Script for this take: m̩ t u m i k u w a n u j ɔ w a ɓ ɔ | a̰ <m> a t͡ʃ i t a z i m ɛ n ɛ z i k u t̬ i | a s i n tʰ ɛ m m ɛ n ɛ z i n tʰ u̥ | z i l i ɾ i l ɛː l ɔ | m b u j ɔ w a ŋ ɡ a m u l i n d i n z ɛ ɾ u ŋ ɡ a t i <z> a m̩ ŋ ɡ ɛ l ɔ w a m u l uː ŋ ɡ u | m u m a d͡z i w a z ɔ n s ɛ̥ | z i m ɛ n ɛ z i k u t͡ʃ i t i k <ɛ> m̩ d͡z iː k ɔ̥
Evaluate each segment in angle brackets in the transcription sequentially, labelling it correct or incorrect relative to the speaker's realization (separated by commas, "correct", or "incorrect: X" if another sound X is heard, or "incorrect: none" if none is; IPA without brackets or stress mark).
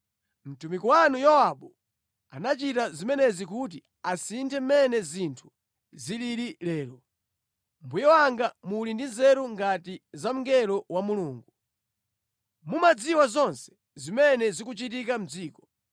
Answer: incorrect: n, correct, incorrect: a